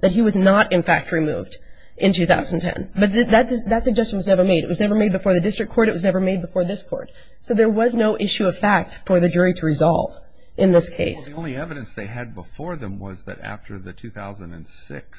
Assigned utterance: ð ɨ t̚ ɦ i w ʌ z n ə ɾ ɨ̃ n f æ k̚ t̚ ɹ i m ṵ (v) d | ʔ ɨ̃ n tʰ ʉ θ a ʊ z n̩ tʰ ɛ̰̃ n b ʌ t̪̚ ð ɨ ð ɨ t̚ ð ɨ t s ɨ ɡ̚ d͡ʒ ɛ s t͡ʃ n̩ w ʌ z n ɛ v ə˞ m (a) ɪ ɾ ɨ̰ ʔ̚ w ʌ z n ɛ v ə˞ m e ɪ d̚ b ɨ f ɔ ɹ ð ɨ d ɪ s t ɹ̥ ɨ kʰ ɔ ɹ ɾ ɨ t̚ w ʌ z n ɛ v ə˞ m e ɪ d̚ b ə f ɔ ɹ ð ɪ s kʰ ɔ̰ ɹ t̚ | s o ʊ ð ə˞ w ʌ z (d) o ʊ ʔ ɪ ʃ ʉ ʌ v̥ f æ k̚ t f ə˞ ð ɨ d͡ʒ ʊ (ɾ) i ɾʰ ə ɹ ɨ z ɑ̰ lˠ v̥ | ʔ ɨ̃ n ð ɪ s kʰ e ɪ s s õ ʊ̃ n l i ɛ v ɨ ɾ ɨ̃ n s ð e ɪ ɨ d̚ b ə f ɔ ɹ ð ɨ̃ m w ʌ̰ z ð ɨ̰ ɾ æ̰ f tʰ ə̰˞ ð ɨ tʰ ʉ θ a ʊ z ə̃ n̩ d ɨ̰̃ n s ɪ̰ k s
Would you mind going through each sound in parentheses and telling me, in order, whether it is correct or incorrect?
correct, incorrect: e, incorrect: n, incorrect: ɹ

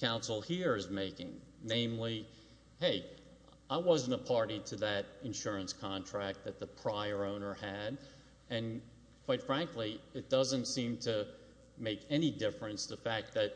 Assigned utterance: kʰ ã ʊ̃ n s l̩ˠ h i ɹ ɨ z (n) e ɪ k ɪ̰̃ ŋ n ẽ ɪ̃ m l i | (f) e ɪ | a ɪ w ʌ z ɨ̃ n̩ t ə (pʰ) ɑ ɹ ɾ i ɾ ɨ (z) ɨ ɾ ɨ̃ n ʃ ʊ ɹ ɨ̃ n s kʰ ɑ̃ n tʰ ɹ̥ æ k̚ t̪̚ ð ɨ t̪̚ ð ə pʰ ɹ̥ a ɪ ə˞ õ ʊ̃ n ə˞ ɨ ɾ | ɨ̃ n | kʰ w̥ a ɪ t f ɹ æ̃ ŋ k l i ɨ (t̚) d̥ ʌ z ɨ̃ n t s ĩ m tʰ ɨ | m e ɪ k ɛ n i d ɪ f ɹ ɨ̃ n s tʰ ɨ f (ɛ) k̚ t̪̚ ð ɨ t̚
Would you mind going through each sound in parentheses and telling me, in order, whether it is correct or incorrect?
incorrect: m, incorrect: h, correct, incorrect: ð, correct, incorrect: æ

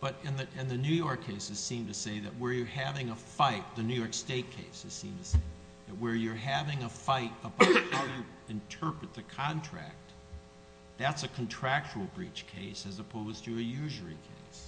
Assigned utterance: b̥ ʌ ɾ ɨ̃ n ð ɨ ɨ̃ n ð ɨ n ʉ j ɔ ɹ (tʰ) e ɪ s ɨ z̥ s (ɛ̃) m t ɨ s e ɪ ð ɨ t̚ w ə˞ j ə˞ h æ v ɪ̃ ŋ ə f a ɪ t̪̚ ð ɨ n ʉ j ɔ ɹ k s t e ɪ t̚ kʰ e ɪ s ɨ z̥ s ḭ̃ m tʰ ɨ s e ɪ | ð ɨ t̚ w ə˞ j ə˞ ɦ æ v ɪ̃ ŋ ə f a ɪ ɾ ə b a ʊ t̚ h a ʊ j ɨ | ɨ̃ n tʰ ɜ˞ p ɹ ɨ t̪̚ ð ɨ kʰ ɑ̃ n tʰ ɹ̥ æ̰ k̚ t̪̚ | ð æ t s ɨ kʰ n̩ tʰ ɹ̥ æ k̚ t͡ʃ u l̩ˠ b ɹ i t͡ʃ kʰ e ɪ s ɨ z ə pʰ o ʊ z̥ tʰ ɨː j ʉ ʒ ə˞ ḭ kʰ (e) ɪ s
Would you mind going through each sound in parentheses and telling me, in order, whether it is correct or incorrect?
incorrect: kʰ, incorrect: ĩ, correct

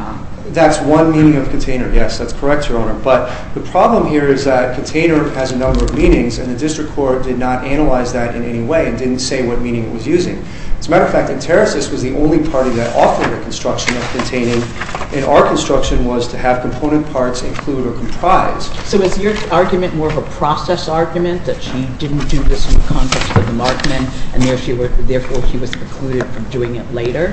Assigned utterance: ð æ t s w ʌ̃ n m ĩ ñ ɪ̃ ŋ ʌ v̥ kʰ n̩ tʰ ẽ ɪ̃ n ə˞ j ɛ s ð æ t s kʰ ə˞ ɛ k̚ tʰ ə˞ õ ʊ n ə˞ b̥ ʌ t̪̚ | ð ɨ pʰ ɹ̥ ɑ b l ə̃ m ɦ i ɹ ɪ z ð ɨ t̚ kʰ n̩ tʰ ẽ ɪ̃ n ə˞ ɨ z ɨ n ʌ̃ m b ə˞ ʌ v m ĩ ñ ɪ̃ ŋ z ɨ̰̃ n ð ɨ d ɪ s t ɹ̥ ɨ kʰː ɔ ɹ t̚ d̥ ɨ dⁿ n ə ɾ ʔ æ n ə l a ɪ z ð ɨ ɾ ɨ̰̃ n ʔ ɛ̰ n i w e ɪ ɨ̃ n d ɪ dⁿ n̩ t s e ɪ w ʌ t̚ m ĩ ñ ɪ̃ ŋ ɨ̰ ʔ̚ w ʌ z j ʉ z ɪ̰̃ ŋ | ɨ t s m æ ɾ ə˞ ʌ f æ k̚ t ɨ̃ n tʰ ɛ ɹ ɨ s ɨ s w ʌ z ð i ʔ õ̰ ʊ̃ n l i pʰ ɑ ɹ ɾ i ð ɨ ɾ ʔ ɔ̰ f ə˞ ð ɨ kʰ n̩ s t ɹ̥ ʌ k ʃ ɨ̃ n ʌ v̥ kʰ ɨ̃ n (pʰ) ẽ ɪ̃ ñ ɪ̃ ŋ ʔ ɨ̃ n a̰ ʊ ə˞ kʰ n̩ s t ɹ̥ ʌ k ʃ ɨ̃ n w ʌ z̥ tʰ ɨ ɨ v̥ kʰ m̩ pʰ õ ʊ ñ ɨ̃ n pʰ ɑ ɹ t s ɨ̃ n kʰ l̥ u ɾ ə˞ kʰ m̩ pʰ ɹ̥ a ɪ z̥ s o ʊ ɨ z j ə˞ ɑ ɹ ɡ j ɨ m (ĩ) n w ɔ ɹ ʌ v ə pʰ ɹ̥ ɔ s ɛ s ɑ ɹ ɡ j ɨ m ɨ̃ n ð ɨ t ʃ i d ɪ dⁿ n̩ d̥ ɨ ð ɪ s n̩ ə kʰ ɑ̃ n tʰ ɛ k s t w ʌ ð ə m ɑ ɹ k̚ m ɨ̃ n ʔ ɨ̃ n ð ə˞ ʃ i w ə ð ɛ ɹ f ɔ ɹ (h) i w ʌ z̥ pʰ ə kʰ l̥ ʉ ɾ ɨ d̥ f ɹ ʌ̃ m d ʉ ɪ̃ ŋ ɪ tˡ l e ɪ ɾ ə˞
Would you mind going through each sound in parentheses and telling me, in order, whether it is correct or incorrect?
incorrect: tʰ, incorrect: ɨ̃, incorrect: ʃ

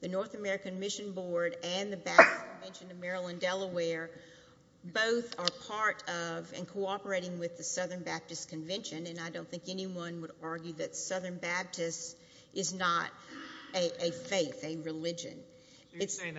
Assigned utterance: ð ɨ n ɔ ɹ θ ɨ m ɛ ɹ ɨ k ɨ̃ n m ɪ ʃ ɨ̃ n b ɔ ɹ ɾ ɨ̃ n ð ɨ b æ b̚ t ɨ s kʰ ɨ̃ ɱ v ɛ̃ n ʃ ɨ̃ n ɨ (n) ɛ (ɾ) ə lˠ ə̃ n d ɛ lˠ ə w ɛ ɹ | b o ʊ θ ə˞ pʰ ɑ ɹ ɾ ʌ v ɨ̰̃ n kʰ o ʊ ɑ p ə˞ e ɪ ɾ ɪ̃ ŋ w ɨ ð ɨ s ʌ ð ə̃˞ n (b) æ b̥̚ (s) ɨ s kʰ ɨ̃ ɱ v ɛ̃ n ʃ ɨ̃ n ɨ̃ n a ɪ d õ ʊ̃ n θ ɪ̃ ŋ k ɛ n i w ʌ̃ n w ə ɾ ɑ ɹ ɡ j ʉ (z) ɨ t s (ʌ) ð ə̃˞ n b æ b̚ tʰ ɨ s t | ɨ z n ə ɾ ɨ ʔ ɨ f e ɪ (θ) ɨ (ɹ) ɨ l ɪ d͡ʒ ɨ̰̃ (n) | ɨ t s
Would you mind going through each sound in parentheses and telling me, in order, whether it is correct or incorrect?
incorrect: m, incorrect: ɹ, correct, incorrect: t, incorrect: ð, correct, correct, correct, correct

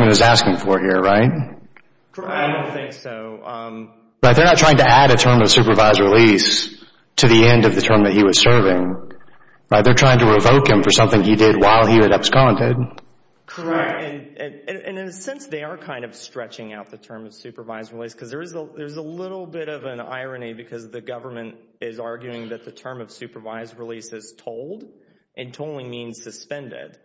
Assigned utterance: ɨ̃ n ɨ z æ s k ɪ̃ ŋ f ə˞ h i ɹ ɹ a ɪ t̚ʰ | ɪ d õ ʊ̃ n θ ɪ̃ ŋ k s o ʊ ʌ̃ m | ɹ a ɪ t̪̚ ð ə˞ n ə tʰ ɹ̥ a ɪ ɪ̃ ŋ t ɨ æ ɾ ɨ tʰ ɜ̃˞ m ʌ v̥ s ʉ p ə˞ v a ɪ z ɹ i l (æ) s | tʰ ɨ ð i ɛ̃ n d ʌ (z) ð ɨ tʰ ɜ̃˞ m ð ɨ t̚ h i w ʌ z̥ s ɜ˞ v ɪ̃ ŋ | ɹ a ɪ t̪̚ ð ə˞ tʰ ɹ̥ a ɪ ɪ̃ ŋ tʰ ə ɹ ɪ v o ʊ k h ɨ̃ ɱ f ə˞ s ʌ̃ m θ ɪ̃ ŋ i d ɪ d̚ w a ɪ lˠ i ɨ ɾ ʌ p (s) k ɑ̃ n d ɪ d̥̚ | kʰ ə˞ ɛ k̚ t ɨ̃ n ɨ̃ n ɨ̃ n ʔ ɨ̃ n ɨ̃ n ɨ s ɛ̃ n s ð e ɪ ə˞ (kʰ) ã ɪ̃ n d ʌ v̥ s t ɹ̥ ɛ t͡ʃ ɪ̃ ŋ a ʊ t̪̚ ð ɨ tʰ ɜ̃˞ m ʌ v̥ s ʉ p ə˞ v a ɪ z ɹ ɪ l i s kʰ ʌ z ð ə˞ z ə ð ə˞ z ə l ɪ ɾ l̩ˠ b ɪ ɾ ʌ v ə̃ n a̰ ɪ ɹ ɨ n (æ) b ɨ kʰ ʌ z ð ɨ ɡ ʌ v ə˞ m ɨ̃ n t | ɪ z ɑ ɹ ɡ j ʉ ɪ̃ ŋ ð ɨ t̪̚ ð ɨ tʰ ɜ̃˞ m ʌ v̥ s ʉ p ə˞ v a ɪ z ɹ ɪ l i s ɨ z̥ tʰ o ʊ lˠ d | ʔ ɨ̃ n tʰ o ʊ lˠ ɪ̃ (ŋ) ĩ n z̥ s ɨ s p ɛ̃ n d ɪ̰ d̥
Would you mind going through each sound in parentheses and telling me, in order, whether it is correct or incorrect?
incorrect: i, incorrect: v, correct, correct, incorrect: i, incorrect: m

